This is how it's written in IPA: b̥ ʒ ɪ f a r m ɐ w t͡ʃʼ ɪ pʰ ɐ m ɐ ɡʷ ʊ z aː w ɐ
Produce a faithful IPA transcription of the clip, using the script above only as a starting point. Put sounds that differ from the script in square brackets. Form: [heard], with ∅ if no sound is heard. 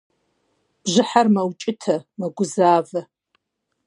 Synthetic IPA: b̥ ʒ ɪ [ħ] a r m ɐ w t͡ʃʼ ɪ [tʰ] ɐ m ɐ ɡʷ ʊ z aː [v] ɐ

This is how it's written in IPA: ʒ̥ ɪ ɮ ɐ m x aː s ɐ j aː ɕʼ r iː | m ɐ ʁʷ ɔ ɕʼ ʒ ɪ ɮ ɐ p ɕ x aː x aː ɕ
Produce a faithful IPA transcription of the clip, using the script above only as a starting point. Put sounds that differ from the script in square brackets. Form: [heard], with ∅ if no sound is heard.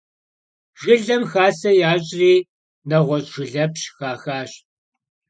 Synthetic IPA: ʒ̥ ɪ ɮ ɐ m x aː s ɐ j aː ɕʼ r iː | [n] ɐ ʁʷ ɔ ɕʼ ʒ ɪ ɮ ɐ p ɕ x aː x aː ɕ

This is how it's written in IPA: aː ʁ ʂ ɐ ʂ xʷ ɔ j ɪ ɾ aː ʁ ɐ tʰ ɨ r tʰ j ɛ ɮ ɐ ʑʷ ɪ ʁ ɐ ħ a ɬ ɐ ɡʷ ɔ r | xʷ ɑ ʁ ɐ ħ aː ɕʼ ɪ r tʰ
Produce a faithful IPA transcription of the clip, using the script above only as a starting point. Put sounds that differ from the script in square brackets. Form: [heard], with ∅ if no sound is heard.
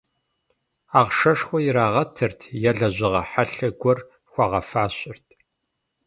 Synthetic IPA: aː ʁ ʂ ɐ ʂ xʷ ɔ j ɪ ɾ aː ʁ ɐ tʰ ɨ r tʰ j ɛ ɮ ɐ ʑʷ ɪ ʁ ɐ ħ a ɬ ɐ ɡʷ ɔ r | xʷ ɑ ʁ ɐ [f] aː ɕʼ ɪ r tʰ

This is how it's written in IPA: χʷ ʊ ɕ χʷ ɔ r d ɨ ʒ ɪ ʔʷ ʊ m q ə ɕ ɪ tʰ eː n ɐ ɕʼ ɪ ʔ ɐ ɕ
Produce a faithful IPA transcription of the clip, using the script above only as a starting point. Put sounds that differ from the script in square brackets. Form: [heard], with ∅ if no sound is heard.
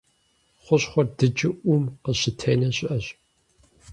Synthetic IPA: χʷ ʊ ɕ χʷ ɔ r d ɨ [d͡ʒ] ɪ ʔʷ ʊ m q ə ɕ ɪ tʰ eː n ɐ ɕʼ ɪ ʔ ɐ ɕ

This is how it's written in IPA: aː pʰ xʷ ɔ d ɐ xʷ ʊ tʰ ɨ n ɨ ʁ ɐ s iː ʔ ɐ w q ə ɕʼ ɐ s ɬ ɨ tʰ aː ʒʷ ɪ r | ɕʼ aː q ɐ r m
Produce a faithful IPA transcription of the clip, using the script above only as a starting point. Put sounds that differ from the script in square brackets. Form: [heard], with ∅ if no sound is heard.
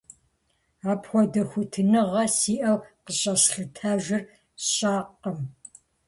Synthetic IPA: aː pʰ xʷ ɔ d ɐ xʷ ʊ tʰ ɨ n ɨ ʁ ɐ s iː ʔ ɐ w q ə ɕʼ ɐ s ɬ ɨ tʰ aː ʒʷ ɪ r | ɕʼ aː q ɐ [∅] m

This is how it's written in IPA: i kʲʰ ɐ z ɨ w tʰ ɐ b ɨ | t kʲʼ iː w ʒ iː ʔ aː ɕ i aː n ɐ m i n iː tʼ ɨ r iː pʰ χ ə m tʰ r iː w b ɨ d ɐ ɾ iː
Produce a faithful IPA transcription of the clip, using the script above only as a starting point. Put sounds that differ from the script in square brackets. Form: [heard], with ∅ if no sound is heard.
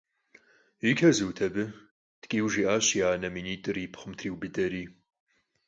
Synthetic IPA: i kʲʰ ɐ z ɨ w tʰ ɐ b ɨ | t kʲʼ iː w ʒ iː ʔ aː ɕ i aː n ɐ m i n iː tʼ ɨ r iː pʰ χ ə m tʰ r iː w b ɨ d ɐ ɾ iː

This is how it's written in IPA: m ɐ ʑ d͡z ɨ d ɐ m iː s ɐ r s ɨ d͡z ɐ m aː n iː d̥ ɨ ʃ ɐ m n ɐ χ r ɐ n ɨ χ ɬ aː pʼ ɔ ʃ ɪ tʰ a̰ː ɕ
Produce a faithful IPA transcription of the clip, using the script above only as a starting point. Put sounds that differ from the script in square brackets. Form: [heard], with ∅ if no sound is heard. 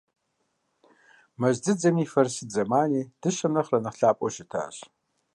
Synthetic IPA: m ɐ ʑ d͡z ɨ [d͡z] ɐ m iː [f] ɐ r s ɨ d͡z ɐ m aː n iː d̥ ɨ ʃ ɐ m n ɐ χ r ɐ n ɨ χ ɬ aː pʼ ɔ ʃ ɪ tʰ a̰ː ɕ

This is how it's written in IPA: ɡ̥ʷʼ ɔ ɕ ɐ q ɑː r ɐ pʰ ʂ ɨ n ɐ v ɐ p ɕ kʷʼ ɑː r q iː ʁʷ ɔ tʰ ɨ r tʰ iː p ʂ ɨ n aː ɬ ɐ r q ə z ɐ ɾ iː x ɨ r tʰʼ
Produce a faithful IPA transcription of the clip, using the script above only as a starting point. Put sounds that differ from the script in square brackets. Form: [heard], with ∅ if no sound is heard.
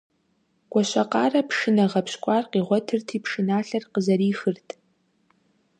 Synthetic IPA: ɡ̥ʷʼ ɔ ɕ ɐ q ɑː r ɐ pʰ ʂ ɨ n ɐ [ʁ] ɐ p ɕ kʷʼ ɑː r q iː ʁʷ ɔ tʰ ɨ r tʰ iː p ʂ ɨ n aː ɬ ɐ r q ə z ɐ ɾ iː x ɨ r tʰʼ

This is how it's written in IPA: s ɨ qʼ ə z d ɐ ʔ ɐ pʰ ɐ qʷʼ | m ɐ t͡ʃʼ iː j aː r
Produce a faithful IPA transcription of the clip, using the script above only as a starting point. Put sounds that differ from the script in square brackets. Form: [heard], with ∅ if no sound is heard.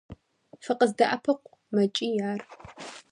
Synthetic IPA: [f] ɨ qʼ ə z d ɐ ʔ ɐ pʰ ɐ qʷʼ | m ɐ t͡ʃʼ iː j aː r

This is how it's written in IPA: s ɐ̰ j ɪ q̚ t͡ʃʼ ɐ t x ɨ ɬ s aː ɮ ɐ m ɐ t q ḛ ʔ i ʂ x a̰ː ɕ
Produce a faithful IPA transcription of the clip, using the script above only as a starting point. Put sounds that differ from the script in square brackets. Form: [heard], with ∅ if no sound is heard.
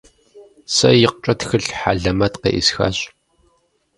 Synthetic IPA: s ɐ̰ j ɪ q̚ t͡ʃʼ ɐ t x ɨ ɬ [ħ] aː ɮ ɐ m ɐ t q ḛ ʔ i [s] x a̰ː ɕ

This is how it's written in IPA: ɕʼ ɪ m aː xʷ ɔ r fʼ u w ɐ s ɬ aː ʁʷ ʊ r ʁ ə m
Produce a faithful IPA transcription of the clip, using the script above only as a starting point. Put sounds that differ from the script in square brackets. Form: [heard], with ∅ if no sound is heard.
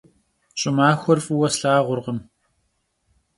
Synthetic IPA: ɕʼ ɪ m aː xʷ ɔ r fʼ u w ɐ s ɬ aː ʁʷ ʊ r ʁ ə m

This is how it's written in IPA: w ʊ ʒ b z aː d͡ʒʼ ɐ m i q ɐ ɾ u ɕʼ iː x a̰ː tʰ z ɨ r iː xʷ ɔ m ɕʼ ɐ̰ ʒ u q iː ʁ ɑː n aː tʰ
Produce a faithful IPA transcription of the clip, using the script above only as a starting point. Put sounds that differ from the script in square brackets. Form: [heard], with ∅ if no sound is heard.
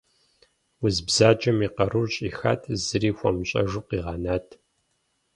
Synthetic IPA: w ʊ [z] b z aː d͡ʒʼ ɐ m i q ɐ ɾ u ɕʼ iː x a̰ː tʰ z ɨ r iː xʷ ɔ m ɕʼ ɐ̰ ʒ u q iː ʁ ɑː n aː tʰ

